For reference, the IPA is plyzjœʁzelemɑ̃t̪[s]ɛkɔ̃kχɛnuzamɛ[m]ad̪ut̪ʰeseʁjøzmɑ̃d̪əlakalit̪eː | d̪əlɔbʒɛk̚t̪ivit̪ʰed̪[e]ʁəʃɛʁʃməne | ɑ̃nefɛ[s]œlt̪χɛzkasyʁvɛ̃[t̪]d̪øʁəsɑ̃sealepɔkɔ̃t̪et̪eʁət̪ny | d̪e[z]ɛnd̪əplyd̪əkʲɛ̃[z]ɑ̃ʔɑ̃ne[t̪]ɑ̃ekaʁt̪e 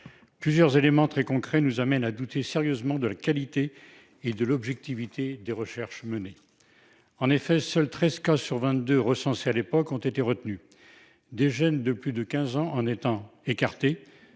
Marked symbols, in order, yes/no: no, no, yes, yes, yes, no, yes, yes

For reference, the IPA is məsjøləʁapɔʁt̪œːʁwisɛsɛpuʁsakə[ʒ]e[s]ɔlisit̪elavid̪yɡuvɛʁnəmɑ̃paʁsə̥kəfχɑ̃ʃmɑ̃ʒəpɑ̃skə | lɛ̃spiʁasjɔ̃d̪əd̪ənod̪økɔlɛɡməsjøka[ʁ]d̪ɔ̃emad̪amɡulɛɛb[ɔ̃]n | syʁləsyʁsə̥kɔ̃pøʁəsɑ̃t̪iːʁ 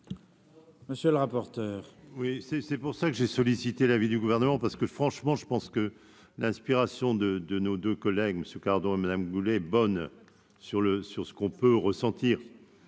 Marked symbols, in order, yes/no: yes, yes, yes, no

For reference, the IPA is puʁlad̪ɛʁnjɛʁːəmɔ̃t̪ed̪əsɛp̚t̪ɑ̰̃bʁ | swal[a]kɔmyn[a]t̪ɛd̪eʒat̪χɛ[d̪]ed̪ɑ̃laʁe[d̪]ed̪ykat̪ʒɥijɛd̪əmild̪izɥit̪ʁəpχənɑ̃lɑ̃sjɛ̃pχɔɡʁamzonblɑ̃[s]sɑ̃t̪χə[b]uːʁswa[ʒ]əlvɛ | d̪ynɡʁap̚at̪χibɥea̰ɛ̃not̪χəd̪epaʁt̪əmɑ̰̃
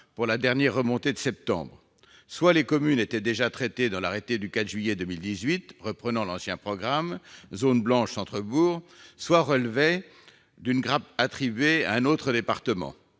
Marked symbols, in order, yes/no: no, no, no, no, no, yes, no

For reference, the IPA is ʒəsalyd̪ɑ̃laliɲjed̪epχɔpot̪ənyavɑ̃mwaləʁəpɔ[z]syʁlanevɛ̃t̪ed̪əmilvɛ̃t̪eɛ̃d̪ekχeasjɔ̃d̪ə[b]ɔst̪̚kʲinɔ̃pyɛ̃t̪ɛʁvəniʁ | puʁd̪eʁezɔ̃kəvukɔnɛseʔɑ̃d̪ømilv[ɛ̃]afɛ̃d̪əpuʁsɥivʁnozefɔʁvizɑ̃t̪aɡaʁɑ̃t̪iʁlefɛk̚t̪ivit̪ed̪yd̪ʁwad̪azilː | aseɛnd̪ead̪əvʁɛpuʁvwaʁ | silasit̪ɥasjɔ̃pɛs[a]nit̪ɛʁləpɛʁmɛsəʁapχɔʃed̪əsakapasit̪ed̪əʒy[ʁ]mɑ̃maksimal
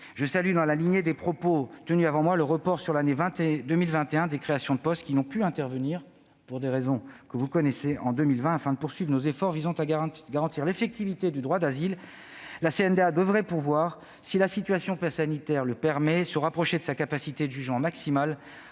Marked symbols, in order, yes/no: no, no, yes, yes, no

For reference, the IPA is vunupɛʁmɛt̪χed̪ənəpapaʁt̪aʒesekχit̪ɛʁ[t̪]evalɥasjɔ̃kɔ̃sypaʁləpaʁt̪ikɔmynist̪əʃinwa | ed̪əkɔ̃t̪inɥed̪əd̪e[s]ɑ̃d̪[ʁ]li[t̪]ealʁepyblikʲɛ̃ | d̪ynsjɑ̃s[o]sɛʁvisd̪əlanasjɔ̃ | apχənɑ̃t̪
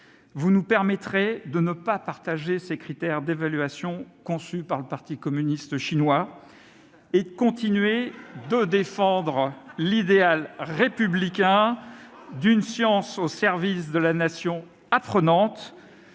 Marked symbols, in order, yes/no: no, no, yes, no, yes

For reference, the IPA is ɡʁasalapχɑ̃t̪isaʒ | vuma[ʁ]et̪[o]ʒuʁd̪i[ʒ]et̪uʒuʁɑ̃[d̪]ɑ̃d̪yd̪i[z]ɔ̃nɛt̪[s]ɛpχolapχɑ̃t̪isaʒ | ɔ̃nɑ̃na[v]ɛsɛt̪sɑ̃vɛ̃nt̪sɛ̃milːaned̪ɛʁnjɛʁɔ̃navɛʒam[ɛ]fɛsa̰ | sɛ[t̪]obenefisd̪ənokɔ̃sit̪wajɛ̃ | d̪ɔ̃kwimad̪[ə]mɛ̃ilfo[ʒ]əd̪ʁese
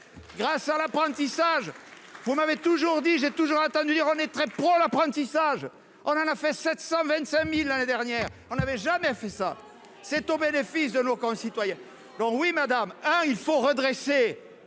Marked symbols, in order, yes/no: no, no, yes, no, no, no, no, yes, yes, no, no

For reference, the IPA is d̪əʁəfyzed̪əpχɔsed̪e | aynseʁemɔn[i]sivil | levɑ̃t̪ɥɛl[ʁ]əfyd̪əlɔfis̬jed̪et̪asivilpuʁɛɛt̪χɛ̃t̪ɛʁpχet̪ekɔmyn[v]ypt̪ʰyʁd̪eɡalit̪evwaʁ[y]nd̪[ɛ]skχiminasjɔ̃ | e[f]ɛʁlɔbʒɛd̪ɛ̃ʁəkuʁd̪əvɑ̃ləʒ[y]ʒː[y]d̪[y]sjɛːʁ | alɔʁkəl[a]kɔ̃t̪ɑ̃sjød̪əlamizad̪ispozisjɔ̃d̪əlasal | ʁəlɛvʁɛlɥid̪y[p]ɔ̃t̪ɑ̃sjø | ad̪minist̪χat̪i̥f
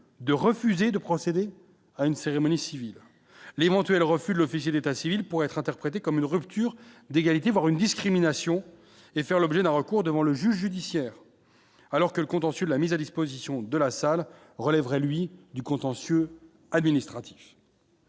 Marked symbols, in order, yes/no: yes, yes, no, yes, no, yes, yes, yes, no, no, no

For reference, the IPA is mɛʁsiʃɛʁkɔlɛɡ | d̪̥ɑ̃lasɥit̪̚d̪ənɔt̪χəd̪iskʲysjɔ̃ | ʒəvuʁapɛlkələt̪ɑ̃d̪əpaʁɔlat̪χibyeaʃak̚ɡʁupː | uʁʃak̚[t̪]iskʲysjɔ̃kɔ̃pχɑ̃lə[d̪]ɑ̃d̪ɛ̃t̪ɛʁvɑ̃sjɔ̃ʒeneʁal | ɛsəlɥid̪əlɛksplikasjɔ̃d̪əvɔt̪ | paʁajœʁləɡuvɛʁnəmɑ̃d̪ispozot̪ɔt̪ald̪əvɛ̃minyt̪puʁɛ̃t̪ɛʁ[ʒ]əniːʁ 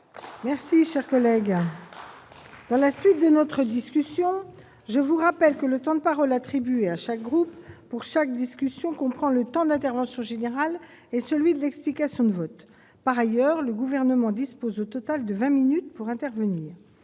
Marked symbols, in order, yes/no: no, no, no

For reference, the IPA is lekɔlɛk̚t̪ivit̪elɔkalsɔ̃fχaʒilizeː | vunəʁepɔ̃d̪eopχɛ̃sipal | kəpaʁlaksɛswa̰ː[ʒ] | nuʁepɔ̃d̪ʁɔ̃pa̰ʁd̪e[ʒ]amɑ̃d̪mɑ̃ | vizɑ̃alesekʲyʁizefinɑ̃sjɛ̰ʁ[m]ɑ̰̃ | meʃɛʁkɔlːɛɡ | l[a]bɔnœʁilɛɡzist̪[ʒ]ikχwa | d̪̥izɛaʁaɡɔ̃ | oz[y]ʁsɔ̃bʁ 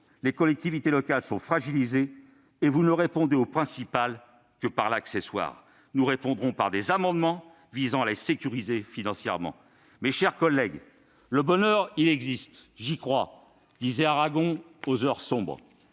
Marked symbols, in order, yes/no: no, no, yes, no, yes, no

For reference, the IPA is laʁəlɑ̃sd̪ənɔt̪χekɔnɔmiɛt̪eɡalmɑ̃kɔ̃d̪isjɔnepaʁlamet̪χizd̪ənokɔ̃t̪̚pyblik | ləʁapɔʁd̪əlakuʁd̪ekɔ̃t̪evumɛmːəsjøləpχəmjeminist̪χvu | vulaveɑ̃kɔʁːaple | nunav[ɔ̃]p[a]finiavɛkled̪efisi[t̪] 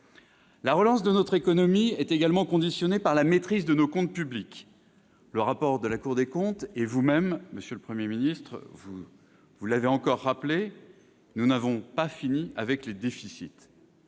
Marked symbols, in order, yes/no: yes, yes, yes

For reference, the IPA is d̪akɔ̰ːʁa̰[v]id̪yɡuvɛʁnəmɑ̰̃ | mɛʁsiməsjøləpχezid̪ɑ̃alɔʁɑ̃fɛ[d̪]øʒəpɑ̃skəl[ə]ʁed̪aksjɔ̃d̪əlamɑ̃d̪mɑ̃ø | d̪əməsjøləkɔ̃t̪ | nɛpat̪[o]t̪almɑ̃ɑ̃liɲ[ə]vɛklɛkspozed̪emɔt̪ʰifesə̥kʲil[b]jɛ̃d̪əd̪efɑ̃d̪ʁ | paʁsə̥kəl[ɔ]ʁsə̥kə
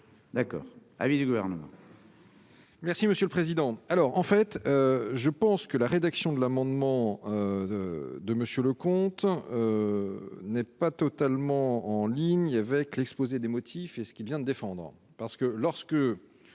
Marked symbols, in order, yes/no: yes, no, no, no, no, no, yes

